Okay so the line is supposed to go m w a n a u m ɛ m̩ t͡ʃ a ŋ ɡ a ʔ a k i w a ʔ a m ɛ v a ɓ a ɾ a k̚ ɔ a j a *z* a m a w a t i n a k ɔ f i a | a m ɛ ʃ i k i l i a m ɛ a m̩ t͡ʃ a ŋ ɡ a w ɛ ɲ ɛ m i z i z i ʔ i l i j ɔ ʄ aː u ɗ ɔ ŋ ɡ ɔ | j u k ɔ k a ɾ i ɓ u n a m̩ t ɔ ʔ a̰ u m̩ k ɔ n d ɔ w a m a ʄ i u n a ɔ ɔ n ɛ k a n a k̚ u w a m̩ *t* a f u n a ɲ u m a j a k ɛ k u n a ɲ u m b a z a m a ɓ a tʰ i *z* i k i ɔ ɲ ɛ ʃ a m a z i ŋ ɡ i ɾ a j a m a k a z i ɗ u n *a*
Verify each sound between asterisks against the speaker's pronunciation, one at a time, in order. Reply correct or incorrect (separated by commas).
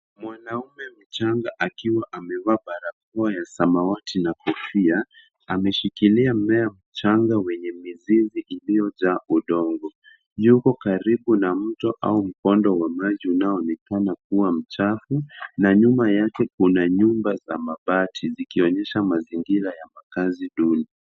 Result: incorrect, incorrect, correct, incorrect